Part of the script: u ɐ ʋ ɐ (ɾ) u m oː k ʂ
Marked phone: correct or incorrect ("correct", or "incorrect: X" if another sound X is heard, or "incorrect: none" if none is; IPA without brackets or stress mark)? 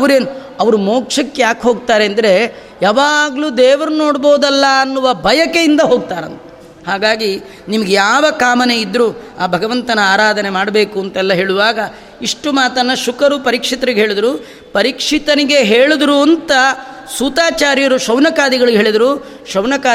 correct